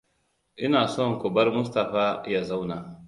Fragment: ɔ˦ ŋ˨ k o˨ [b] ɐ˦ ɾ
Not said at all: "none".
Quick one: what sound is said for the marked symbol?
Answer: b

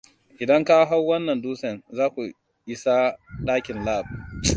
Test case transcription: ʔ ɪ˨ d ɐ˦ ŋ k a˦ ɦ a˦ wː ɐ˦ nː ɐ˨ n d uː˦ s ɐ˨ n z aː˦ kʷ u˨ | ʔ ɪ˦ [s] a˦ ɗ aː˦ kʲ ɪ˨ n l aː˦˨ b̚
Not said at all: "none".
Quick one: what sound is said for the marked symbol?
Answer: s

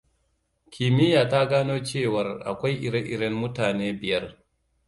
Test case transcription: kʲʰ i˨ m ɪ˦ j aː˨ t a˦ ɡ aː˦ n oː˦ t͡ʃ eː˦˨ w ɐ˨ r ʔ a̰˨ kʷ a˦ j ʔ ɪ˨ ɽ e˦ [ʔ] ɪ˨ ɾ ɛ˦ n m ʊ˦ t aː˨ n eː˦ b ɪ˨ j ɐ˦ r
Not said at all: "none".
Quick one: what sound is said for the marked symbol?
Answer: ʔ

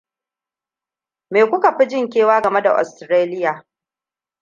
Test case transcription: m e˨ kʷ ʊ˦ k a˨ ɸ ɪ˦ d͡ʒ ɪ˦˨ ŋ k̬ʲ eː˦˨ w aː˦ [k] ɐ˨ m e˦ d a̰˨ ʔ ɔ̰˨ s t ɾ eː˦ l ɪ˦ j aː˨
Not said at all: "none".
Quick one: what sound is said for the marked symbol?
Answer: ɡ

